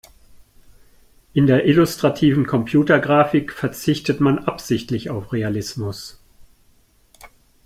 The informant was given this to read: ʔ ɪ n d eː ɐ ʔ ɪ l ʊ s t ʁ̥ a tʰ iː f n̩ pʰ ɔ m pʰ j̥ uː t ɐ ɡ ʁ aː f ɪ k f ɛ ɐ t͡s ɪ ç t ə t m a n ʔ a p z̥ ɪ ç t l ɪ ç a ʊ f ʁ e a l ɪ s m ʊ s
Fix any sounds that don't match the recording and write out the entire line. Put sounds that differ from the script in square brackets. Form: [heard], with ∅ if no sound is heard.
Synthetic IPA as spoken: ʔ ɪ n d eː ɐ ʔ ɪ l ʊ s t ʁ̥ a tʰ iː [v] n̩ [kʰ] ɔ m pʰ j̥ uː t ɐ ɡ ʁ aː f ɪ k f ɛ ɐ t͡s ɪ ç t ə t m a n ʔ a p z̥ ɪ ç t l ɪ ç a ʊ f ʁ e a l ɪ s m ʊ s